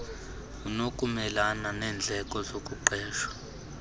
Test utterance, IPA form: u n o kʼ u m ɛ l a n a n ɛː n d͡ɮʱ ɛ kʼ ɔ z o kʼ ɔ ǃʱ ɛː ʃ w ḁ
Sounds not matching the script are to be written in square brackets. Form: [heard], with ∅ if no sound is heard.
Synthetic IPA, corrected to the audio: u n o kʼ u m ɛ l a n a n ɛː n d͡ɮʱ ɛ kʼ ɔ z o kʼ [u] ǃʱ ɛː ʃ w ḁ